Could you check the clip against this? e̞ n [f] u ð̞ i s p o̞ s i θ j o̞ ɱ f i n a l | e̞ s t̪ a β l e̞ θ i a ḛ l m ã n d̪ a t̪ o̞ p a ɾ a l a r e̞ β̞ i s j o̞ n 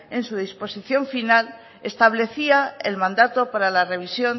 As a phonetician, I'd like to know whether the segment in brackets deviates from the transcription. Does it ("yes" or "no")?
yes